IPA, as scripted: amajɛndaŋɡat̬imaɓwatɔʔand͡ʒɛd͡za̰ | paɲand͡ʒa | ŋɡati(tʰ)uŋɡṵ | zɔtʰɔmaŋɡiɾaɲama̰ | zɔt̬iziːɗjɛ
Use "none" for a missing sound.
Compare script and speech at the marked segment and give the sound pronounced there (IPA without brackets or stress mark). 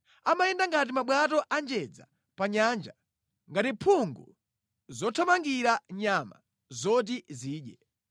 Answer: pʰ